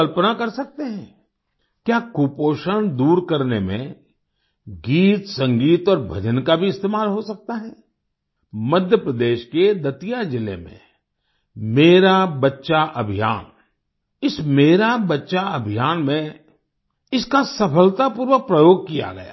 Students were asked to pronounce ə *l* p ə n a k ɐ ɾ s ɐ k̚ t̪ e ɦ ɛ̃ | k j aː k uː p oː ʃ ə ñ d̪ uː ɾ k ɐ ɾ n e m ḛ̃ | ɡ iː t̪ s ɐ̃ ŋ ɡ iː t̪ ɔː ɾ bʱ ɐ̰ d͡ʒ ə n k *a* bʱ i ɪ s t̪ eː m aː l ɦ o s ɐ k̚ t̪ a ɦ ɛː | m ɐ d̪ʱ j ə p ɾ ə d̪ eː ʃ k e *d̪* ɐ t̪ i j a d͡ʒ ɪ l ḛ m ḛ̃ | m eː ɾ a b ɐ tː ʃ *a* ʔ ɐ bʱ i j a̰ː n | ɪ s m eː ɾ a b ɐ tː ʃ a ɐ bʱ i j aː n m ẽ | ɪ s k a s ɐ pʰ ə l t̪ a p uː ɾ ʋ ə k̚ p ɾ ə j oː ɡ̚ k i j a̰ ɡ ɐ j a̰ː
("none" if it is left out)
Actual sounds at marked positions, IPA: l, a, d̪, a

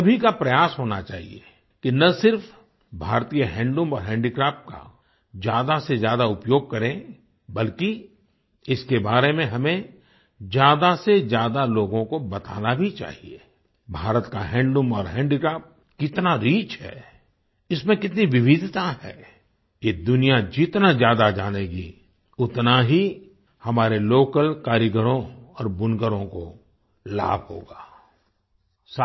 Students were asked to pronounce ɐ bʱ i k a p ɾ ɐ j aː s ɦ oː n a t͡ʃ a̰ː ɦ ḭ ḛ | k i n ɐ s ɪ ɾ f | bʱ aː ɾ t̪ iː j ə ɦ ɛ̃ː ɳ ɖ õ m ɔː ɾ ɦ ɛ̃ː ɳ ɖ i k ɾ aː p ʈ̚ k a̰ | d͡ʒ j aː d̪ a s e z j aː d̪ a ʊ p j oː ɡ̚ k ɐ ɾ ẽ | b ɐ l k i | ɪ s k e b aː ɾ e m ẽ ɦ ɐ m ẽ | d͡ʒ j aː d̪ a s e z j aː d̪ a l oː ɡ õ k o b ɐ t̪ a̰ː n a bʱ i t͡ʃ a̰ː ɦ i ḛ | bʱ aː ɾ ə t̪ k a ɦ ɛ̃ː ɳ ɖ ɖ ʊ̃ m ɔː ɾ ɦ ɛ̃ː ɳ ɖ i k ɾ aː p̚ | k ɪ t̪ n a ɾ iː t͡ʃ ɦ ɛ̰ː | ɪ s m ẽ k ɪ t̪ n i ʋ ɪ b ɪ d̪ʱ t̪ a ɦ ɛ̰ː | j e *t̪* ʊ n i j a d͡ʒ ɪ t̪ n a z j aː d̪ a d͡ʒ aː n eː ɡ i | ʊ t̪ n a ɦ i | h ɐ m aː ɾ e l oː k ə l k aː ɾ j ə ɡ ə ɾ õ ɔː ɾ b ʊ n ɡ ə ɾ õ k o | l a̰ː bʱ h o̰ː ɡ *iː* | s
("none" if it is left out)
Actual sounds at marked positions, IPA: d̪, aː

